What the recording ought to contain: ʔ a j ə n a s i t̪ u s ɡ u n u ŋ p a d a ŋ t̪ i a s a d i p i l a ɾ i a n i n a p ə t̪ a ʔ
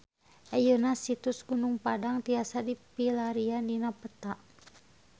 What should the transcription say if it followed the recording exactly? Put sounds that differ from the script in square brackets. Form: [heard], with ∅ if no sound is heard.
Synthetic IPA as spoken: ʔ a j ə n a s i t̪ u s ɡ u n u ŋ p a d a ŋ t̪ i a s a d i p i l a ɾ i a n i n a p ə t̪ a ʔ